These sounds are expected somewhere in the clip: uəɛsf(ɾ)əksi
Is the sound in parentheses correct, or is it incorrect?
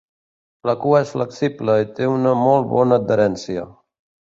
incorrect